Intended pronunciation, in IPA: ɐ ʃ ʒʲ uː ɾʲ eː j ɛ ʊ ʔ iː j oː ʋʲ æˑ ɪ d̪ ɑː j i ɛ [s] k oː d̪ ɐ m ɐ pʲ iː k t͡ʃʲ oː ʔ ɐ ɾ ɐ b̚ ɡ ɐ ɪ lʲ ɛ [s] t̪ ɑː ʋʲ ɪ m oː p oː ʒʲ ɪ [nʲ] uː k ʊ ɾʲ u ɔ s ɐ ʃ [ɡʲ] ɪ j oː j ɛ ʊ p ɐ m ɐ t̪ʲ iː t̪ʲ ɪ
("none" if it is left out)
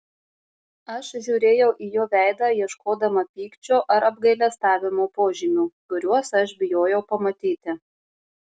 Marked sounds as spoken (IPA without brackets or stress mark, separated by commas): ʃ, s, mʲ, bʲ